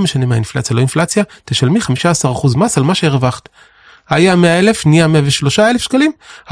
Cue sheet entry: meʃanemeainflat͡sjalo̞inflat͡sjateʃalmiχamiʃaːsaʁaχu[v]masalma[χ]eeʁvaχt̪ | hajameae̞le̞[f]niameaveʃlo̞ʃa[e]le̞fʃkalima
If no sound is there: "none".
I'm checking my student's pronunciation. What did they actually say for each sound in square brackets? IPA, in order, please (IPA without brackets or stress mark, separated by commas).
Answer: z, ʃ, f, e